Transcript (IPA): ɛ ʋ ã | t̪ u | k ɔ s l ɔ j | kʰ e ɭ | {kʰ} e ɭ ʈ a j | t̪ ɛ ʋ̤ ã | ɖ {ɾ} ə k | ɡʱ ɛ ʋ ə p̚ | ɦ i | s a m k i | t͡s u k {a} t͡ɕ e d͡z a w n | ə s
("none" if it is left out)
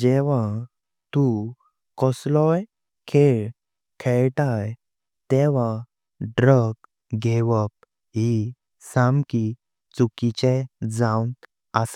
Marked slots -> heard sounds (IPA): kʰ, ɾ, i

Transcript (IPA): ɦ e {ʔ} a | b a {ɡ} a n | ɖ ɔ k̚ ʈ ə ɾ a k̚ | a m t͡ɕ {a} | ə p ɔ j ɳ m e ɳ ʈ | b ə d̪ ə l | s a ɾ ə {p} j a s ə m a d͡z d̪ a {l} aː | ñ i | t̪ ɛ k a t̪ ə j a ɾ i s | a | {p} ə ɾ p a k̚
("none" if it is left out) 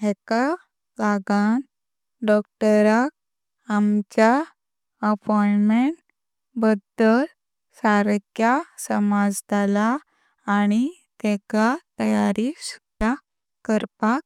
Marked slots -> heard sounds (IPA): k, ɡ, a, k, l, k

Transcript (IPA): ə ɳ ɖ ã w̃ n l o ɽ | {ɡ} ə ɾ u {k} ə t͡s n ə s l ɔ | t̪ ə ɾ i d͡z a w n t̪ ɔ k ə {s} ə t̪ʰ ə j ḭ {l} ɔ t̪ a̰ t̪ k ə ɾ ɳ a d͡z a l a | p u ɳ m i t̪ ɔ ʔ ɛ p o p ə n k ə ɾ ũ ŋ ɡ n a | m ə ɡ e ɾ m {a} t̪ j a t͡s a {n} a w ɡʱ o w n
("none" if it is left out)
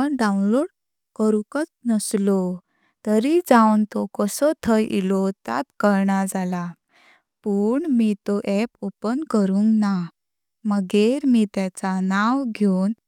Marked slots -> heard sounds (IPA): k, k, s, l, i, n

